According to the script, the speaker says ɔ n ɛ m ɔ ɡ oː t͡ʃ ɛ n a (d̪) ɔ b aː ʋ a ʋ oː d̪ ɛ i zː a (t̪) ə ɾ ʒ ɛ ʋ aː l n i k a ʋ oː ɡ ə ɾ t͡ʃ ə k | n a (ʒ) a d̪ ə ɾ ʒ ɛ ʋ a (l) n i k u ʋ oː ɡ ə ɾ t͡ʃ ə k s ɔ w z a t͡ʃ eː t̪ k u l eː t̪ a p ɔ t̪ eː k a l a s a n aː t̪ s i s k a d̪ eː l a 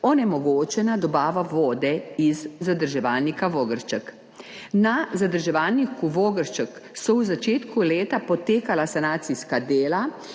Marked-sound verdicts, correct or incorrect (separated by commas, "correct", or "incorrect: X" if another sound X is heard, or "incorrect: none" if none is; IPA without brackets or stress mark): correct, incorrect: d̪, incorrect: z, correct